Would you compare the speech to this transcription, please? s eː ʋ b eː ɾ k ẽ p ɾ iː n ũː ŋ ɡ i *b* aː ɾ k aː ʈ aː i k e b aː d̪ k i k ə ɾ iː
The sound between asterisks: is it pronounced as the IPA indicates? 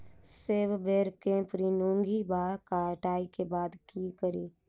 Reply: yes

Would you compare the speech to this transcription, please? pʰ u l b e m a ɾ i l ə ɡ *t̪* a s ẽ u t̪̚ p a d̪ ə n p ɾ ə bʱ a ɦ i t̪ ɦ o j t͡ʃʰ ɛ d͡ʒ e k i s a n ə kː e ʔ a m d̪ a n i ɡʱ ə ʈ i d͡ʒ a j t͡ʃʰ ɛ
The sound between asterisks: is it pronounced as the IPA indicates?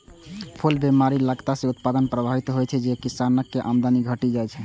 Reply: yes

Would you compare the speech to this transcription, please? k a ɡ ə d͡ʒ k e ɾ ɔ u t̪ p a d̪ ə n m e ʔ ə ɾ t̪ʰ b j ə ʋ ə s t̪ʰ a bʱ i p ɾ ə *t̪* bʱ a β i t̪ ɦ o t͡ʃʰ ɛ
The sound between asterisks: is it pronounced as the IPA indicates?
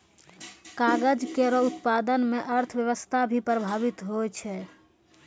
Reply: no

